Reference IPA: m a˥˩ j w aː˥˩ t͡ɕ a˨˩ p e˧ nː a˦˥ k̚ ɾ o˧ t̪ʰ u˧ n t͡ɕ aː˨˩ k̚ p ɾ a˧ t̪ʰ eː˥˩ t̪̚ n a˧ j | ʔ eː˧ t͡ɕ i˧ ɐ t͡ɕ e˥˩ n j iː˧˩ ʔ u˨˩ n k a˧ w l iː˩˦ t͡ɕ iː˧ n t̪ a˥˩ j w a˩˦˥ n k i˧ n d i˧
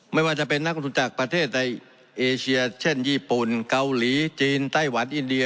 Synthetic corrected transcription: m a˥˩ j w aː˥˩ t͡ɕ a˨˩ p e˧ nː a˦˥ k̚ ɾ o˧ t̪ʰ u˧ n t͡ɕ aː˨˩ k̚ p ɾ a˧ t̪ʰ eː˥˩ t̪̚ n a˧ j | ʔ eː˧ t͡ɕʰ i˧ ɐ t͡ɕʰ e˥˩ n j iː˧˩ p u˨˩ n k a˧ w l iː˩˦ t͡ɕ iː˧ n t̪ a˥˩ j w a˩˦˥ n ʔ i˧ n d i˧

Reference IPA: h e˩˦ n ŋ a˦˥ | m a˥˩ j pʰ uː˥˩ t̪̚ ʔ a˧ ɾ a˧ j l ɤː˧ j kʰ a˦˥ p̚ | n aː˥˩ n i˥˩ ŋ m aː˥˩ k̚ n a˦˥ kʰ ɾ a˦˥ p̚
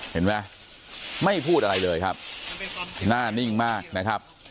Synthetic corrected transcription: h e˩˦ n m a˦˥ | m a˥˩ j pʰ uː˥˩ t̪̚ ʔ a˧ ɾ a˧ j l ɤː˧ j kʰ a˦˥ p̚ | n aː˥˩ n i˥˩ ŋ m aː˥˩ k̚ n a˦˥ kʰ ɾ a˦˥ p̚

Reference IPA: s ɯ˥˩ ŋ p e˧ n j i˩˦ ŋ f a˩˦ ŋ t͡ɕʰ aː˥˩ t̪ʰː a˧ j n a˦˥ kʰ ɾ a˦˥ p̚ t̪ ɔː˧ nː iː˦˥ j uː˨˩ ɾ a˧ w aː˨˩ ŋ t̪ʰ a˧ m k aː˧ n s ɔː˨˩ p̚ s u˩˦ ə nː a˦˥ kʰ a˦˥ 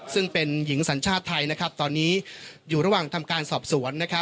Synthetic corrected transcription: s ɯ˥˩ ŋ p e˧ n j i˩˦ ŋ s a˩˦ n t͡ɕʰ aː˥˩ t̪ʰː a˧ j n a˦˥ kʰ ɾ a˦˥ p̚ t̪ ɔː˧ nː iː˦˥ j uː˨˩ ɾ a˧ w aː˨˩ ŋ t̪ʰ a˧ m k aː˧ n s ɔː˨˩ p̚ s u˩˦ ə nː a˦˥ kʰ a˦˥

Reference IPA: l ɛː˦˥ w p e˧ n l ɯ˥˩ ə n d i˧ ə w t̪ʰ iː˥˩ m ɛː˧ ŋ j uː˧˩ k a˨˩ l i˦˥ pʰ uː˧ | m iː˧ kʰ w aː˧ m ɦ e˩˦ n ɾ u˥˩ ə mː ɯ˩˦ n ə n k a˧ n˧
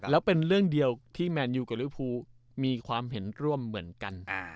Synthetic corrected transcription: l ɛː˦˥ w p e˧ n ɾ ɯ˥˩ ə ŋ d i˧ ə w t̪ʰ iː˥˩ m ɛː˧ n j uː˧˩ k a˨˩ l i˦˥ pʰ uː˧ | m iː˧ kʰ w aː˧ m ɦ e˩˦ n ɾ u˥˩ ə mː ɯ˩˦ ə n k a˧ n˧

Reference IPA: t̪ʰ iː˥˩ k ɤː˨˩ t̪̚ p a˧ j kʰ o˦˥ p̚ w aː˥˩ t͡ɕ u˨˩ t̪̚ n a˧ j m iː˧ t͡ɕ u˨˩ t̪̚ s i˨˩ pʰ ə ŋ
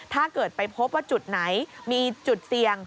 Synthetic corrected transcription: t̪ʰ aː˥˩ k ɤː˨˩ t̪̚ p a˧ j pʰ o˦˥ p̚ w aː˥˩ t͡ɕ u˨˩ t̪̚ n a˩˦ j m iː˧ t͡ɕ u˨˩ t̪̚ s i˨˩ ə ŋ

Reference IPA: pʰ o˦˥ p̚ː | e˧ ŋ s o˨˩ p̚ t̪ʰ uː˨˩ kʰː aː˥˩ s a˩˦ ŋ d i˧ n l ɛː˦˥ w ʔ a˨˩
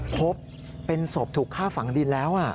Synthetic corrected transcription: pʰ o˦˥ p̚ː | e˧ n s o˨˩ p̚ t̪ʰ uː˨˩ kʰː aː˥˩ f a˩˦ ŋ d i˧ n l ɛː˦˥ w ʔ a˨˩

